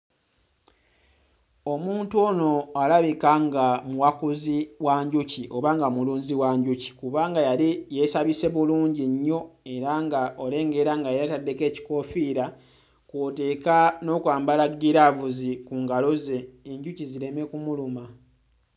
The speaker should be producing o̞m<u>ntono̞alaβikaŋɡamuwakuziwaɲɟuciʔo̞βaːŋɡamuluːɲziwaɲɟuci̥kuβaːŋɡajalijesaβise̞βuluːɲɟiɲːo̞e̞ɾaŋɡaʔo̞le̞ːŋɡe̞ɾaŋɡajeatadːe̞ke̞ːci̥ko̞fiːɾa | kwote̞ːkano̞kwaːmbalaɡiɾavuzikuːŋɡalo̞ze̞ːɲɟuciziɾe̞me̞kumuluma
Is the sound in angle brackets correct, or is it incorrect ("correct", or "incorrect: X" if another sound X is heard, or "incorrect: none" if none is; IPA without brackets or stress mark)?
incorrect: uː